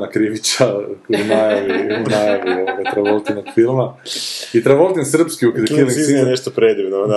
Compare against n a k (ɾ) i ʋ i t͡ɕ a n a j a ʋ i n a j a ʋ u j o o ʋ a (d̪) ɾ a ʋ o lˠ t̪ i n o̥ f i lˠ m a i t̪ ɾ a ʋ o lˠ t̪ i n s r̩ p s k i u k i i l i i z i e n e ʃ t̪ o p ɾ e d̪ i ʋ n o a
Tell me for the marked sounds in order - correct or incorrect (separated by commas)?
correct, incorrect